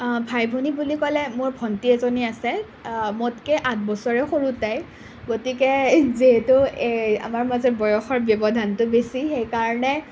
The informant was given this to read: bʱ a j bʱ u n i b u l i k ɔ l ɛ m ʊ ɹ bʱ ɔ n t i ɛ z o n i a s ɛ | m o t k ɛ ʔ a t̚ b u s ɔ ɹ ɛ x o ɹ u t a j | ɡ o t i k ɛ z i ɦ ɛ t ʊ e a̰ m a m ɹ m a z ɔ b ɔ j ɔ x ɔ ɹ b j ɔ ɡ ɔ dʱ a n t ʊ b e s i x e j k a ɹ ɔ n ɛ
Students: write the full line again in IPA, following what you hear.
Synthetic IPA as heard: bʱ a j bʱ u n i b u l i k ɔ l ɛ m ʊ ɹ bʱ ɔ n t i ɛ z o n i a s ɛ | m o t k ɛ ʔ a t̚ b ɔ s ɔ ɹ ɛ x o ɹ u t a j | ɡ o t i k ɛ z i ɦ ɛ t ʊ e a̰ m a ɹ m a z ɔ b ɔ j ɔ x ɔ ɹ b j ɔ b ɔ dʱ a n t ʊ b e s i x e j k a ɹ ɔ n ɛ